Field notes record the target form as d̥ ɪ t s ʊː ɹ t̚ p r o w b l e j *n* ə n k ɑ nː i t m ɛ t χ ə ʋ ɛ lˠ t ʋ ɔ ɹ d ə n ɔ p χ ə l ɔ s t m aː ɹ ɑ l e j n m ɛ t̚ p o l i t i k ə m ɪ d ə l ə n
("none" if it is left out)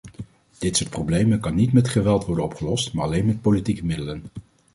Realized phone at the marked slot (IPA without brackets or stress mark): m